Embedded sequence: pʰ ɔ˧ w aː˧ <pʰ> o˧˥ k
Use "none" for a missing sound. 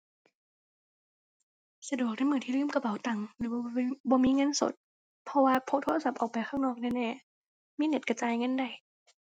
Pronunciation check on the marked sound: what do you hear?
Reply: pʰ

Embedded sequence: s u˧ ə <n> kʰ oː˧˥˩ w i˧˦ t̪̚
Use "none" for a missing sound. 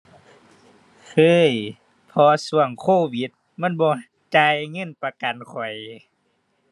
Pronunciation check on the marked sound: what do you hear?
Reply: ŋ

